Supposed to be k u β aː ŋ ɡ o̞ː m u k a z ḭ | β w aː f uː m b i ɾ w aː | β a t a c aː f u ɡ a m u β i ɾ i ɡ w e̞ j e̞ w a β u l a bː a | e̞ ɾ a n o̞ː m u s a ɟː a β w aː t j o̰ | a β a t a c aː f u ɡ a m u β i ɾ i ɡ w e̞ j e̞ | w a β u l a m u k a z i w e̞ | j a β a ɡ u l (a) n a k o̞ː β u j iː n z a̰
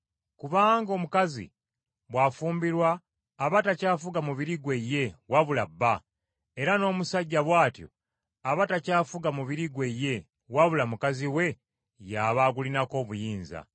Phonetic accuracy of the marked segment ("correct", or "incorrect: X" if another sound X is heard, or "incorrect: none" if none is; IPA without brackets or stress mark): incorrect: i